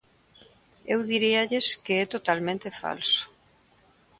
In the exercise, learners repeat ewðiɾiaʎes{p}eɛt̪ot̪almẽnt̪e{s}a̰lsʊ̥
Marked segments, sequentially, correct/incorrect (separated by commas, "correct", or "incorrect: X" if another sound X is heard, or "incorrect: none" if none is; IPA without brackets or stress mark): incorrect: k, incorrect: f